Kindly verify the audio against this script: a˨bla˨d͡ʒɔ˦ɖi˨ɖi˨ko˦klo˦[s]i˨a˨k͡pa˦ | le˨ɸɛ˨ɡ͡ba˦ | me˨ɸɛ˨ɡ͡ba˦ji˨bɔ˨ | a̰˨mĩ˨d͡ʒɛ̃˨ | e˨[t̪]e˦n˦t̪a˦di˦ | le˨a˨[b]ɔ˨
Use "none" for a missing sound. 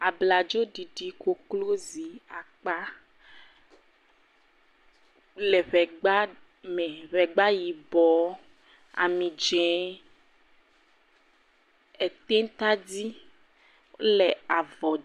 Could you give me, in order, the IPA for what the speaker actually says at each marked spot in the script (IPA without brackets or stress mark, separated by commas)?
z, t̪, v